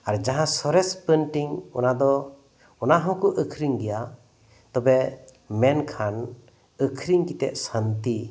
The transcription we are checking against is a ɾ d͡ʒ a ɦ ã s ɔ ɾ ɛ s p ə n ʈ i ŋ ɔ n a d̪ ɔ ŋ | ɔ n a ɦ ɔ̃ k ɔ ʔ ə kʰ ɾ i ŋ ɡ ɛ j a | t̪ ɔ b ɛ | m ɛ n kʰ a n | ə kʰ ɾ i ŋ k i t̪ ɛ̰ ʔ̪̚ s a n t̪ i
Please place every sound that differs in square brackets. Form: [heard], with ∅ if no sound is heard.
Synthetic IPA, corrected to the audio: a ɾ d͡ʒ a ɦ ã s ɔ ɾ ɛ s p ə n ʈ i ŋ ɔ n a d̪ ɔ [∅] | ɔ n a ɦ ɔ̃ k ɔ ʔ ə kʰ ɾ i ŋ ɡ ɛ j a | t̪ ɔ b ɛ | m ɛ n kʰ a n | ə kʰ ɾ i ŋ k i t̪ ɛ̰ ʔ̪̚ s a n t̪ i